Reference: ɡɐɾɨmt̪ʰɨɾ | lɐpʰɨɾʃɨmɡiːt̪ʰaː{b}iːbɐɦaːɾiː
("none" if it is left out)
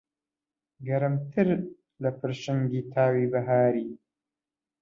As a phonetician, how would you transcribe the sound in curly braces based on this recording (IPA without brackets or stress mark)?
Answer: w